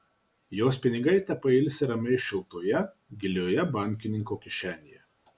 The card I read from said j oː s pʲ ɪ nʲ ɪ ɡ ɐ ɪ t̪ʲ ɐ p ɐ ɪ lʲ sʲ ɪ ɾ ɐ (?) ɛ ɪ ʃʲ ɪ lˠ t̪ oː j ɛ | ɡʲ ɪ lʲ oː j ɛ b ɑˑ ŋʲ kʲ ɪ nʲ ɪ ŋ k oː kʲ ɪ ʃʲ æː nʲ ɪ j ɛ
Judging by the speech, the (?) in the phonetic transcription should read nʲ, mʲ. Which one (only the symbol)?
mʲ